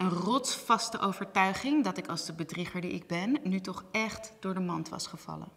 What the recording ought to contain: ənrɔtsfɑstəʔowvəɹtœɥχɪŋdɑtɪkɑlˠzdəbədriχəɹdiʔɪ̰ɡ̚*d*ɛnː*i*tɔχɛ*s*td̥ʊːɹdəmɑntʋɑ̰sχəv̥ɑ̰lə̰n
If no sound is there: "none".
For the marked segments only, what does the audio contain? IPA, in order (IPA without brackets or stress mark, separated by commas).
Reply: b, y, χ